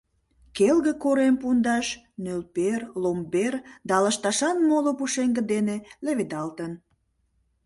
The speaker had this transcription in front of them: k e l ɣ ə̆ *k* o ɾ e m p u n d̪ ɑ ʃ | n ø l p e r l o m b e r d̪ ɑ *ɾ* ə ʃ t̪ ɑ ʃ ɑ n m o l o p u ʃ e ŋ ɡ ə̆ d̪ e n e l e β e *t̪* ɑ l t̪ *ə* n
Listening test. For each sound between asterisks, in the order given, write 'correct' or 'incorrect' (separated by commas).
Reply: correct, incorrect, incorrect, correct